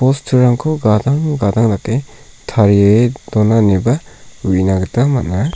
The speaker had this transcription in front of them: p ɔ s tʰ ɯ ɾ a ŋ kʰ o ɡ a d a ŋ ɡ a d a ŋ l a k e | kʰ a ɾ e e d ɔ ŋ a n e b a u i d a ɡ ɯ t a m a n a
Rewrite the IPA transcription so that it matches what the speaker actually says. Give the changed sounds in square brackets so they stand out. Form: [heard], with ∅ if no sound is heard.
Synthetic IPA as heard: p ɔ s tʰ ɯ ɾ a ŋ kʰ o ɡ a d a ŋ ɡ a d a ŋ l a k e | [tʰ] a ɾ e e d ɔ [n] a n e b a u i [n] a ɡ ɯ t a m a n a